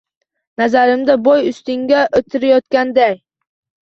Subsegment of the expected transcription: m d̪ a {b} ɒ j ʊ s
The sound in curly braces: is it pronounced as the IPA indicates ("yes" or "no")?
yes